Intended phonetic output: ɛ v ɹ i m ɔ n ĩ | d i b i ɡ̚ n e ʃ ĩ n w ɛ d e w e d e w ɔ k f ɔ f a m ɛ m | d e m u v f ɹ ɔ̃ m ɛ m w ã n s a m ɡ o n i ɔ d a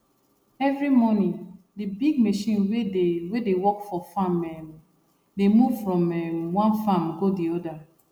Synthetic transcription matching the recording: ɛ v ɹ i m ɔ n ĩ | d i b i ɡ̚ m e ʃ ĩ n w e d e w e d e w ɔ k f ɔ f a m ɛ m | d e m u v f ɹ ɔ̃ m ɛ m w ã n f a m ɡ o d i ɔ d a